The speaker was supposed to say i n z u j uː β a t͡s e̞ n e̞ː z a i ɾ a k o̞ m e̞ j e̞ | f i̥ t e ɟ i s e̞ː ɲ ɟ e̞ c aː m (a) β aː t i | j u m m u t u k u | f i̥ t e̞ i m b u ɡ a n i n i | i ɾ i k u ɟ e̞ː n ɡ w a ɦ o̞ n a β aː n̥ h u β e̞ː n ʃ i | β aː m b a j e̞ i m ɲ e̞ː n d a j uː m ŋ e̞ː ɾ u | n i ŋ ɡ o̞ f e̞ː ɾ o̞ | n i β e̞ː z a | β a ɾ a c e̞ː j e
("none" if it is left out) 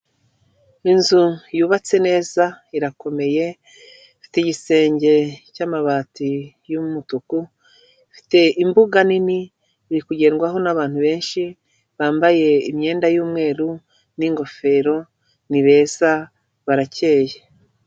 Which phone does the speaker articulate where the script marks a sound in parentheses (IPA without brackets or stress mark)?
a